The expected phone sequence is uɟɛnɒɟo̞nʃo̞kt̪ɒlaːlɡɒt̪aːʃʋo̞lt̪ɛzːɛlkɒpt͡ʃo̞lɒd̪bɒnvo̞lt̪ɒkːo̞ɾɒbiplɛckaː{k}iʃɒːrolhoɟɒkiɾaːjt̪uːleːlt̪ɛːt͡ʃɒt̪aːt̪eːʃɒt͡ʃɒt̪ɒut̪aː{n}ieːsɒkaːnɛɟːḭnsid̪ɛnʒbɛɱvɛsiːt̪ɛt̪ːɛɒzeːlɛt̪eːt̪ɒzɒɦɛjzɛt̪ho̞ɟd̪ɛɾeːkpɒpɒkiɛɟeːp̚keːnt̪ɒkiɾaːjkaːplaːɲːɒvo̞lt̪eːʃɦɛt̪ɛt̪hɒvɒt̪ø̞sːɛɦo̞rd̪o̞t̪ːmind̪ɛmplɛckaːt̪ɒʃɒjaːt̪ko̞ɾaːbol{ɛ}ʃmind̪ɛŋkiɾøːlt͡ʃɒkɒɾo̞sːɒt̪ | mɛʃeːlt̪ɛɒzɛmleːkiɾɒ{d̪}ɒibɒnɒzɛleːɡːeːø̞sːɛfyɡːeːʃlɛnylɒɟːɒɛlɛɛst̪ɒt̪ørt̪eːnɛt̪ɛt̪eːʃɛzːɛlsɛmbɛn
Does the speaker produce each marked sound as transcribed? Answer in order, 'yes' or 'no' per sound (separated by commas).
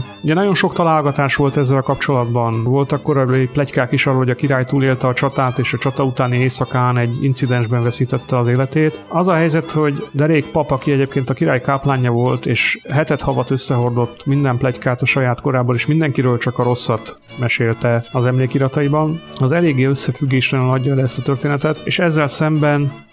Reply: yes, yes, no, no